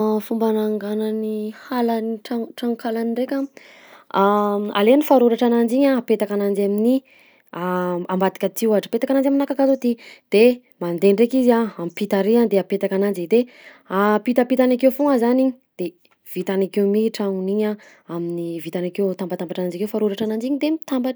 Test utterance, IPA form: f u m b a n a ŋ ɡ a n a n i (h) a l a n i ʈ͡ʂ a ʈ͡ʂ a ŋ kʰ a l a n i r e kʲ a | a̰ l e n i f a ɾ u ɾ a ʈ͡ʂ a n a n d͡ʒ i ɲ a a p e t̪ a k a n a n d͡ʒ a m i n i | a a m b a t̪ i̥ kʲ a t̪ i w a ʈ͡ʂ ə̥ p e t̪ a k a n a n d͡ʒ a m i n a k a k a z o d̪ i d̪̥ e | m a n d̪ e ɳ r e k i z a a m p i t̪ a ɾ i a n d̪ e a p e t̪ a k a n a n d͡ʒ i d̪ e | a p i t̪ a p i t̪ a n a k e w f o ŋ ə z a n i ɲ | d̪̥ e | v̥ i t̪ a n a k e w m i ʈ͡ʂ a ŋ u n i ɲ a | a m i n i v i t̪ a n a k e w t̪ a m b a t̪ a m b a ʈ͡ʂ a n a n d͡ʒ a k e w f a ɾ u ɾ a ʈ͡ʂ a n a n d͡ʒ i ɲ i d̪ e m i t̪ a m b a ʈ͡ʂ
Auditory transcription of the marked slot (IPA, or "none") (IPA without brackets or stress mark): h